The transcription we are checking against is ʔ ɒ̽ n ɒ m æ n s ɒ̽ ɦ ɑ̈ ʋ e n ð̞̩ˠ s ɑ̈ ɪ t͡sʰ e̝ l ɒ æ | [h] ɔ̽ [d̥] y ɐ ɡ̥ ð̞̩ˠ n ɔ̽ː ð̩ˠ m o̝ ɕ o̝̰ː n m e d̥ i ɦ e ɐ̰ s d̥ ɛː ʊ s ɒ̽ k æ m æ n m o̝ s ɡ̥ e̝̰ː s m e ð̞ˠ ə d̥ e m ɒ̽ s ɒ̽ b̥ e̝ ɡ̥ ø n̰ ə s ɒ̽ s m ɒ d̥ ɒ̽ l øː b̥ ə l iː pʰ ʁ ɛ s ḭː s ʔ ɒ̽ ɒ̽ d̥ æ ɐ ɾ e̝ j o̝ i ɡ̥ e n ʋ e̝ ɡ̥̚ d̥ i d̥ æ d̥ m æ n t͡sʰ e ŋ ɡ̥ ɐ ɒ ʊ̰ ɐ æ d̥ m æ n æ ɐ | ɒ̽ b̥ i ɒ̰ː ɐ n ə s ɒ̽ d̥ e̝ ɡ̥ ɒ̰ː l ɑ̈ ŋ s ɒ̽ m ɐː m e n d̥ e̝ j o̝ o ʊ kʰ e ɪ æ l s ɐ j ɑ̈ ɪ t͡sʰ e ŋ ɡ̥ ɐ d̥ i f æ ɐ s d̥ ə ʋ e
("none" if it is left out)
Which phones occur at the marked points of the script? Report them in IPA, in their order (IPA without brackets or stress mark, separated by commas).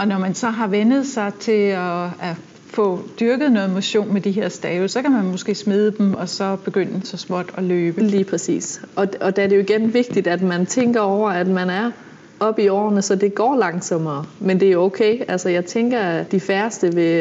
f, d̥